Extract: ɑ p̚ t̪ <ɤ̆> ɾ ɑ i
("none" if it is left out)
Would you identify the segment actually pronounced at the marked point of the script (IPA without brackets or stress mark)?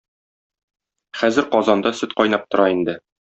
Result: ŏ